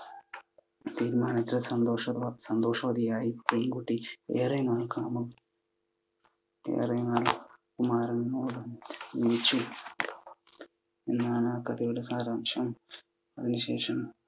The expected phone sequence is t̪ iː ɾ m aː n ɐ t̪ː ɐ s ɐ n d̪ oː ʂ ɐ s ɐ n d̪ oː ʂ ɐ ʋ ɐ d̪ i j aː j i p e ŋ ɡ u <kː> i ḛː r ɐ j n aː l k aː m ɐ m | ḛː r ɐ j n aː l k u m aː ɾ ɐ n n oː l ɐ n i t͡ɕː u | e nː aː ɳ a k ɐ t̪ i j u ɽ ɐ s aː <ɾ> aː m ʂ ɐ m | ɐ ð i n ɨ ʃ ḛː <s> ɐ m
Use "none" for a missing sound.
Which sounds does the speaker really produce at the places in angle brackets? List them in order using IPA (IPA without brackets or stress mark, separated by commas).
ʈː, ɾ, ʂ